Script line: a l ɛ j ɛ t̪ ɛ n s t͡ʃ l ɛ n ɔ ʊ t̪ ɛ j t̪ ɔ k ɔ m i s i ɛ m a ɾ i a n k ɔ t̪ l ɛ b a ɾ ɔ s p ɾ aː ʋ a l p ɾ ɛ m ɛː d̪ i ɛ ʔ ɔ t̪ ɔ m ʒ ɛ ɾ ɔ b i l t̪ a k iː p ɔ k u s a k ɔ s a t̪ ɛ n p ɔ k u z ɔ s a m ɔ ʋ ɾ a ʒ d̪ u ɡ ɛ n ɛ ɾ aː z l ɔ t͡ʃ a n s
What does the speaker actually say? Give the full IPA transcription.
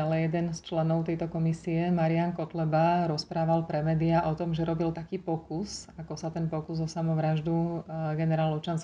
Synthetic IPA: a l ɛ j ɛ d̪ ɛ n s t͡ʃ l ɛ n ɔ ʊ t̪ ɛ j t̪ ɔ k ɔ m i s i ɛ m a ɾ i a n k ɔ t̪ l ɛ b a ɾ ɔ s p ɾ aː ʋ a l p ɾ ɛ m ɛː d̪ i a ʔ ɔ t̪ ɔ m ʒ ɛ ɾ ɔ b i l t̪ a k iː p ɔ k u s a k ɔ s a t̪ ɛ n p ɔ k u z ɔ s a m ɔ ʋ ɾ a ʒ d̪ u ɡ ɛ n ɛ ɾ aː l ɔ t͡ʃ a n s